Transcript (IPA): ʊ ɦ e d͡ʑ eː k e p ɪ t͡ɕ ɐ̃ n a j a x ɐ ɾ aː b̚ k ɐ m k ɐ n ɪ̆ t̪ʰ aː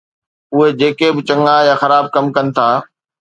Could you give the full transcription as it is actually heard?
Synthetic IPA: ʊ ɦ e d͡ʑ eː k e b ɪ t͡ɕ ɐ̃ ŋ a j a x ɐ ɾ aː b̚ k ɐ m k ɐ n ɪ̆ t̪ʰ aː